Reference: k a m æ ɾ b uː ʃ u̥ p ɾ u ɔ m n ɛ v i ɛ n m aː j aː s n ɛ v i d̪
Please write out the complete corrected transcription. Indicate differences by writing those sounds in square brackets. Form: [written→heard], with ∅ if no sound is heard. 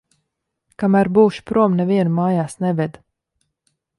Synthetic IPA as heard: k a m æ ɾ b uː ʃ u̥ p ɾ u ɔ m n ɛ v i ɛ n m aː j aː s n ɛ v [i→ɛ] d̪